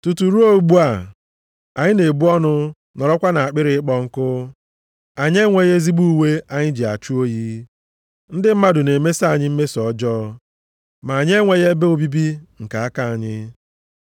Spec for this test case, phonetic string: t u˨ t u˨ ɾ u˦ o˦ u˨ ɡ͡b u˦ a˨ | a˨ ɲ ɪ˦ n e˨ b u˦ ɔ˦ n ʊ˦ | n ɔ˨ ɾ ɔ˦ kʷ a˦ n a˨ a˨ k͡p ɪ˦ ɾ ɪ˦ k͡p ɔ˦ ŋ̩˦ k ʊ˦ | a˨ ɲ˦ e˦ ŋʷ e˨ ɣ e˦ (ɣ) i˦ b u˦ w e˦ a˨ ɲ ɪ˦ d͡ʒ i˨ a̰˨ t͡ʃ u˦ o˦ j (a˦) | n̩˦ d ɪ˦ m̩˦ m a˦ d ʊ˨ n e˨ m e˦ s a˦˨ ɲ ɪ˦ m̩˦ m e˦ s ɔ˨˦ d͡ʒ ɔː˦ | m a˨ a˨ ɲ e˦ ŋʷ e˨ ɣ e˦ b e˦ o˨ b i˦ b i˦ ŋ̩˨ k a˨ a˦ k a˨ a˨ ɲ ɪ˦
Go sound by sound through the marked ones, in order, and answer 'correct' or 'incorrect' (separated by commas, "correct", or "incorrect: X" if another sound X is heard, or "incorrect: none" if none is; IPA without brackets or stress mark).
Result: incorrect: z, incorrect: i˦